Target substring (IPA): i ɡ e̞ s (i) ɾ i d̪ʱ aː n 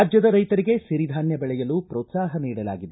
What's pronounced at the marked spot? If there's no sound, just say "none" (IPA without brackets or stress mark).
i